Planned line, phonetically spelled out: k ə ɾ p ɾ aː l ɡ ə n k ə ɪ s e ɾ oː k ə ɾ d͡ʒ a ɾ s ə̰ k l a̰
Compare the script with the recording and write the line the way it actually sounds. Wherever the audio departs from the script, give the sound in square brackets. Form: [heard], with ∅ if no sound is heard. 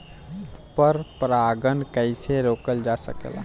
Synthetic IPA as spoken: [p] ə ɾ p ɾ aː [∅] ɡ ə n k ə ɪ s e ɾ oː k ə [l] d͡ʒ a [∅] s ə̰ k l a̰